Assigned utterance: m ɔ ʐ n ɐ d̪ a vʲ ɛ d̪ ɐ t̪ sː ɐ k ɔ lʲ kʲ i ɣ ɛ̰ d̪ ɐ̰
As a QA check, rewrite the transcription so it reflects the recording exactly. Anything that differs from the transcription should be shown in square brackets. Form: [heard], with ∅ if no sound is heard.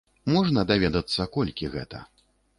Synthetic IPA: m ɔ ʐ n ɐ d̪ a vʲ ɛ d̪ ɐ t̪ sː ɐ k ɔ lʲ kʲ i ɣ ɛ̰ [t̪] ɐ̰